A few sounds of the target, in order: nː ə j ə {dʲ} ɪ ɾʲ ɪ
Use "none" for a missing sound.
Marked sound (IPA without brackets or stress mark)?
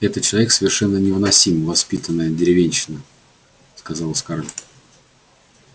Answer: dʲ